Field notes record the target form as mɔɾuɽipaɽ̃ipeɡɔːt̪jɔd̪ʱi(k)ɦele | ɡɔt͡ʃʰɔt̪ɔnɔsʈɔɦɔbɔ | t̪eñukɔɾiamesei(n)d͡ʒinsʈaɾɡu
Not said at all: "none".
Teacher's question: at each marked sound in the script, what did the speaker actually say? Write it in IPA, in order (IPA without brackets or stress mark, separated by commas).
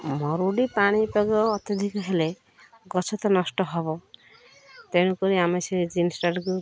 k, none